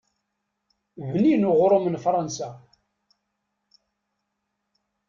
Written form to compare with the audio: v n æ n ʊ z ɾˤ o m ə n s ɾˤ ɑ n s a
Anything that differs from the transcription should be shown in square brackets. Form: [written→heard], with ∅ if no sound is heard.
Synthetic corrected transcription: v n [æ→i] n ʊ [z→ʁ] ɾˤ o m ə n [s→f] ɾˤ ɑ n s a